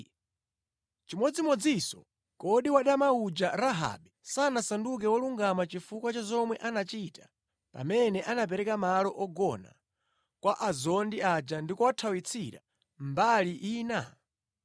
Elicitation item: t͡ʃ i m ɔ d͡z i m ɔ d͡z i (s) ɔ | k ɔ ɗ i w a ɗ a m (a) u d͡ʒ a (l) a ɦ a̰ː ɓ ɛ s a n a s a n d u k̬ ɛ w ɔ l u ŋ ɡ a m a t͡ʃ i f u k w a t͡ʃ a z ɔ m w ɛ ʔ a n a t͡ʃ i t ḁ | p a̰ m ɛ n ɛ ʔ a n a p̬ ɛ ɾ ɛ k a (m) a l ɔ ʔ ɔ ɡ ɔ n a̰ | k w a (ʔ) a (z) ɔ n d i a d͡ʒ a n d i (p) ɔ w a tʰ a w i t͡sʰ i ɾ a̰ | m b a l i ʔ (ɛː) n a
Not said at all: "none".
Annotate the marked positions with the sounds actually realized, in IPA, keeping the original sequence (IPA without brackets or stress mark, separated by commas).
s, a, ɾ, m, ʔ, z, k, iː